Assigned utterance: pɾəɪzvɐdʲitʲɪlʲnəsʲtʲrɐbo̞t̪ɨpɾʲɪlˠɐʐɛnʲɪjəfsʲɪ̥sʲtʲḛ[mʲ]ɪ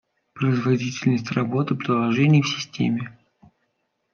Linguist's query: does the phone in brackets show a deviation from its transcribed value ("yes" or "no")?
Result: no